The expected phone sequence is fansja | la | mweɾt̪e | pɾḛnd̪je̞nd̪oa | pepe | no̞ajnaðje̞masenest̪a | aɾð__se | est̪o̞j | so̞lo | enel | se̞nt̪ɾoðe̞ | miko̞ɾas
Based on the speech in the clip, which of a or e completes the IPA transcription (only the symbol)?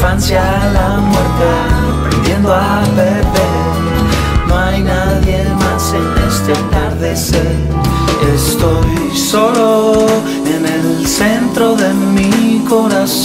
e